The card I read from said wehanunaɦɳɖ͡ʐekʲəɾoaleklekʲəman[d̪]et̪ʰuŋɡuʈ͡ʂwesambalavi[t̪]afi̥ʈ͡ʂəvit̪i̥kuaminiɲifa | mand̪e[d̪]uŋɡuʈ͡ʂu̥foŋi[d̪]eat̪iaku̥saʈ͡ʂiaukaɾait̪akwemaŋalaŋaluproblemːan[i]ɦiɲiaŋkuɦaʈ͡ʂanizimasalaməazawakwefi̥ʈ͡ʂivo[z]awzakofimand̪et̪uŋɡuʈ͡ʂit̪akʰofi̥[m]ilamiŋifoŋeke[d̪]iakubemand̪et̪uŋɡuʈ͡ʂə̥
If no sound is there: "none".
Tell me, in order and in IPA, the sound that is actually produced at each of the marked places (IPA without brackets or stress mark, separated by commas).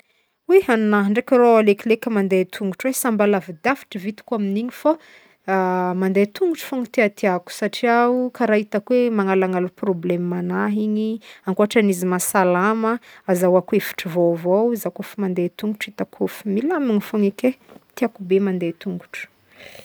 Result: d̪, d̪, t̪, t̪, a, v, m, t̪